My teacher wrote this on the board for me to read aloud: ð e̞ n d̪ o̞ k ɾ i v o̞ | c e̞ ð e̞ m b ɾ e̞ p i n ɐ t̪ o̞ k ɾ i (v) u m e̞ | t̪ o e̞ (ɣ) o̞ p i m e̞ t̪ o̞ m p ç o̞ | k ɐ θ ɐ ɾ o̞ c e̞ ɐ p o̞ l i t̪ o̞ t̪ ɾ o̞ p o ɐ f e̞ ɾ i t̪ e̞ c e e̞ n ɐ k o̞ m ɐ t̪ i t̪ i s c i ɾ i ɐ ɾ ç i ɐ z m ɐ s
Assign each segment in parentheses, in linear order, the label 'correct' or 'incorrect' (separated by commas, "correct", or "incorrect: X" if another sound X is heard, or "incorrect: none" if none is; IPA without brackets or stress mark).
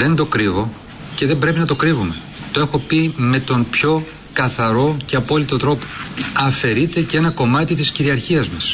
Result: correct, incorrect: x